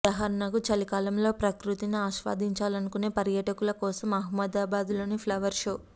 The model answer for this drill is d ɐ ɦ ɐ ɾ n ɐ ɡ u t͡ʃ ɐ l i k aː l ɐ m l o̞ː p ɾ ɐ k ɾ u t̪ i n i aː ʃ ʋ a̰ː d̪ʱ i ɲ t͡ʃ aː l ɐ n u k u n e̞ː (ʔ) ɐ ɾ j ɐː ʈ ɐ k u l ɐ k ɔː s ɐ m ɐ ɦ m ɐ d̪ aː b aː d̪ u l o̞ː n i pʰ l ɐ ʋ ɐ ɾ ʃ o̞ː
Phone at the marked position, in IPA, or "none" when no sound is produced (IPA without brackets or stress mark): p